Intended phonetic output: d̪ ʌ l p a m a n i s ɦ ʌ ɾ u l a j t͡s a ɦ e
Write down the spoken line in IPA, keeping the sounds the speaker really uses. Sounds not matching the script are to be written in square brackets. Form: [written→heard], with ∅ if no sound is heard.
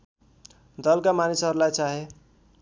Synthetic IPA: d̪ ʌ l [p→k] a m a n i s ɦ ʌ ɾ u l a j t͡s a ɦ e